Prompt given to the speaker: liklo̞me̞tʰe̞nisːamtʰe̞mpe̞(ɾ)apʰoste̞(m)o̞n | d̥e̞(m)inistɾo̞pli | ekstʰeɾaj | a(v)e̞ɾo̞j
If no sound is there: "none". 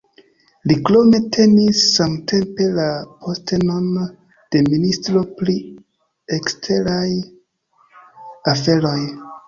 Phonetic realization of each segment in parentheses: l, n, m, f

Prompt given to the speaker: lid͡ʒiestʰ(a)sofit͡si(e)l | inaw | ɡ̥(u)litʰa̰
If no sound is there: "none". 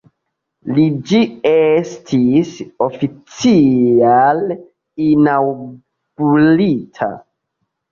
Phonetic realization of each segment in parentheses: i, a, u

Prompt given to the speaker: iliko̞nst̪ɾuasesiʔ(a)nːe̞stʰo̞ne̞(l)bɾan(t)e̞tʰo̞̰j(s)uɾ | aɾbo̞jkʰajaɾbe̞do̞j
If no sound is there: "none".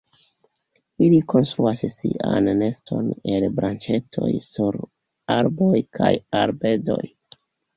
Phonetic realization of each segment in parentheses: a, l, t͡ʃ, s

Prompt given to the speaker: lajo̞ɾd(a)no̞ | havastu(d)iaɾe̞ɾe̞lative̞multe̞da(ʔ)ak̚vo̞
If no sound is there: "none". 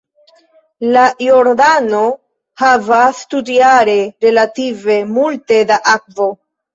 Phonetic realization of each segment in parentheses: a, d, ʔ

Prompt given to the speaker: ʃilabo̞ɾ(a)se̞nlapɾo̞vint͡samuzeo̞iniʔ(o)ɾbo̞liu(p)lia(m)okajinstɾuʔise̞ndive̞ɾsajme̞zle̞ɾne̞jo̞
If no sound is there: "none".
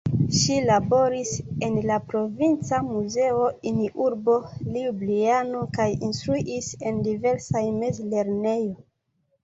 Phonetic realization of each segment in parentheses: i, u, b, n

